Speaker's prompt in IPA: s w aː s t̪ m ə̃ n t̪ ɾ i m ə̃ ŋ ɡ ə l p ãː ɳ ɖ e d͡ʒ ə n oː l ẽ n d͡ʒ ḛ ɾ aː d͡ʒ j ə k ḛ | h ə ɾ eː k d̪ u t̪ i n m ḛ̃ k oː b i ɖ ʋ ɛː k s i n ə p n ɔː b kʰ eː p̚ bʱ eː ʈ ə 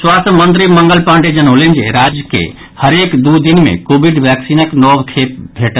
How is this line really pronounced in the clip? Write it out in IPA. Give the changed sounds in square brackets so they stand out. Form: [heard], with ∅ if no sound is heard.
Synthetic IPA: s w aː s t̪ m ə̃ n t̪ ɾ i m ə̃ ŋ ɡ ə l p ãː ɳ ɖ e d͡ʒ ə n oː l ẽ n d͡ʒ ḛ ɾ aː d͡ʒ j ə k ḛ | h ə ɾ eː k d̪ u [d̪] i n m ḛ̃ k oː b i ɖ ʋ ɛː k s i n ə [k] n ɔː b kʰ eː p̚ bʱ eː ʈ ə

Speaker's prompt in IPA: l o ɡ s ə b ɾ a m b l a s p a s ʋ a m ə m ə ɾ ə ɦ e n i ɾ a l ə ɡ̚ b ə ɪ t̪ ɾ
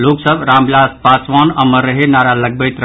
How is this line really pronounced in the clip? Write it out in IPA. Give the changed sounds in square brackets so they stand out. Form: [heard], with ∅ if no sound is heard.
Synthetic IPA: l o [k] s ə b ɾ a m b l a s p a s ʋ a [n] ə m ə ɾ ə ɦ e n [a] ɾ a l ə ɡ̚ b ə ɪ t̪ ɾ

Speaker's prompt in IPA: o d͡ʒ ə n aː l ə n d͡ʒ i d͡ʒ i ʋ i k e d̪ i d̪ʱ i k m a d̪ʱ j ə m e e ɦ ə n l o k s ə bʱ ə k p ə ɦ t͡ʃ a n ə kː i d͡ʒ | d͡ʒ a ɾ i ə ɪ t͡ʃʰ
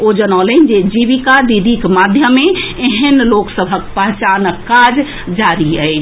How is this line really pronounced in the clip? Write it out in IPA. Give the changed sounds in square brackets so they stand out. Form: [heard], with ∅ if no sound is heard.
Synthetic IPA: o d͡ʒ ə n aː l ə n d͡ʒ [e] d͡ʒ i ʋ i k [a] d̪ i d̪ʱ i k m a d̪ʱ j ə m e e ɦ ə n l o k s ə bʱ ə k p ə ɦ t͡ʃ a n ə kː [a] d͡ʒ | d͡ʒ a ɾ i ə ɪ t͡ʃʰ

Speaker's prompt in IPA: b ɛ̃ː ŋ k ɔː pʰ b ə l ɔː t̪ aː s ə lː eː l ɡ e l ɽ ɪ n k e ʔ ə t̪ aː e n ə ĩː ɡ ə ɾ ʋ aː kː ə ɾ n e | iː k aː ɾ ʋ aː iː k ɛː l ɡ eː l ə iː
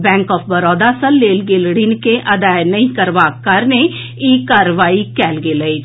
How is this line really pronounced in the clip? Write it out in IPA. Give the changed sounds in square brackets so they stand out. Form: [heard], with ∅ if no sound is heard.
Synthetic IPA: b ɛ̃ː ŋ k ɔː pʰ b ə [ɾ] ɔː [d̪] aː s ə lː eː l ɡ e l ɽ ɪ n k e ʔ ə [d̪] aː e n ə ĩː [k] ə ɾ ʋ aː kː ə ɾ n e | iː k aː ɾ ʋ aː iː k ɛː l ɡ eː l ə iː

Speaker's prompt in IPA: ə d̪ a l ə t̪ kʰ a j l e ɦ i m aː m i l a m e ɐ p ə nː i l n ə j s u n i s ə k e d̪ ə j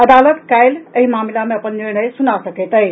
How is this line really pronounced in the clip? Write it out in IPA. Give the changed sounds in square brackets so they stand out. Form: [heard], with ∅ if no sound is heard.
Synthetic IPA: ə d̪ a l ə t̪ [k] a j l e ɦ i m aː m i l a m e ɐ p ə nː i [ɾ] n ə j s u n [a] s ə k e [t̪] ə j

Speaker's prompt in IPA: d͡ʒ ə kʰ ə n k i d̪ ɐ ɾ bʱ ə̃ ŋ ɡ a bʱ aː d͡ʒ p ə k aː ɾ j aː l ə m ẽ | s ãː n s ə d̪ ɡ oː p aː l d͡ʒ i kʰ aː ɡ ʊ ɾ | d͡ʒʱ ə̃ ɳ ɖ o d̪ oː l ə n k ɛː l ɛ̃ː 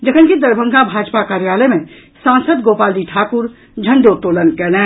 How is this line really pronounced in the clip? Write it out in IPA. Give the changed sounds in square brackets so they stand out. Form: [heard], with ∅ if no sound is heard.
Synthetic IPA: d͡ʒ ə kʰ ə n k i d̪ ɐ ɾ bʱ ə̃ ŋ ɡ a bʱ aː d͡ʒ p [a] k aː ɾ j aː l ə m ẽ | s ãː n s ə d̪ ɡ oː p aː l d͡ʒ i [ʈʰ] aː [k] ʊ ɾ | d͡ʒʱ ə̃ ɳ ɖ o [t̪] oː l ə n k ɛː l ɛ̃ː

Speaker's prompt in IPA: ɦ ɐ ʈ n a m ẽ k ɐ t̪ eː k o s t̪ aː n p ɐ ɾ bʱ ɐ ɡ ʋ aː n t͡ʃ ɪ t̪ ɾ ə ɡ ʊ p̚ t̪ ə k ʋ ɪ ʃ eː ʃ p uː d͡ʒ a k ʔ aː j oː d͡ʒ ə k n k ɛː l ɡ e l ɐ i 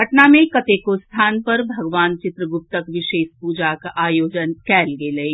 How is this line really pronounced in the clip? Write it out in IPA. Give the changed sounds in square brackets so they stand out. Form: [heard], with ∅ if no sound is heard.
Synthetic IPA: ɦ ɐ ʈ n a m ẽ k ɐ t̪ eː k o s [t̪ʰ] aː n p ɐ ɾ bʱ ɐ ɡ ʋ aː n t͡ʃ ɪ t̪ ɾ ə ɡ ʊ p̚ t̪ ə k ʋ ɪ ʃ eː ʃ p uː d͡ʒ a k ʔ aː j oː d͡ʒ ə [∅] n k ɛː l ɡ e l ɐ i

